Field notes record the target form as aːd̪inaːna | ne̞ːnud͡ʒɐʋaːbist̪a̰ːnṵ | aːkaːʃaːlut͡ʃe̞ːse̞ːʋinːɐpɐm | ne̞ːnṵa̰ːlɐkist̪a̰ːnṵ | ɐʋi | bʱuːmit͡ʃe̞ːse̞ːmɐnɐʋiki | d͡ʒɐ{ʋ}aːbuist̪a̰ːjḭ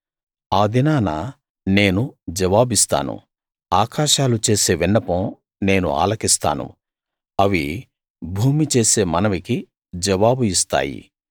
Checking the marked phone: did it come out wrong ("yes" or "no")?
no